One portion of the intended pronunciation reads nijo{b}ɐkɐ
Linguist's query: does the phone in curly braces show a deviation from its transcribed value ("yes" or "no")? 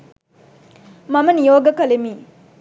yes